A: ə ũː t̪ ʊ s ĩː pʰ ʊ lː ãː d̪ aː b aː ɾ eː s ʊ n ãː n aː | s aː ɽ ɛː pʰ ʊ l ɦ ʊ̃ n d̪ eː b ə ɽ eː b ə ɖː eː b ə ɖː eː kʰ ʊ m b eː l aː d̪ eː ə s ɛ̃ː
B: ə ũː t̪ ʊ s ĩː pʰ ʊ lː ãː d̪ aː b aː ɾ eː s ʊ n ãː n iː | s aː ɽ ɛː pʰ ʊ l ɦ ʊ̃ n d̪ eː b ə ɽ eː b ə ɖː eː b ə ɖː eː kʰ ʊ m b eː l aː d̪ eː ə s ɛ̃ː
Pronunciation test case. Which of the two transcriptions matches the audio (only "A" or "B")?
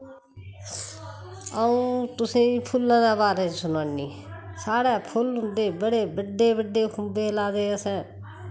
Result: B